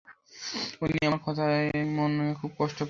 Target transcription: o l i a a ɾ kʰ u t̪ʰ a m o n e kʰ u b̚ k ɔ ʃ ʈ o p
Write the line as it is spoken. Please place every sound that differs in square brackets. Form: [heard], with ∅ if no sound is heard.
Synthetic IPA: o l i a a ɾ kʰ [ɔ] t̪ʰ a m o n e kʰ u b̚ k ɔ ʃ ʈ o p